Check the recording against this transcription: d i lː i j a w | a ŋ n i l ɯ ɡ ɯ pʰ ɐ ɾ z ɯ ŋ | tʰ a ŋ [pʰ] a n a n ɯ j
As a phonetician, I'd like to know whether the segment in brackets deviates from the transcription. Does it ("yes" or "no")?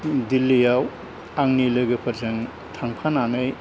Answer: no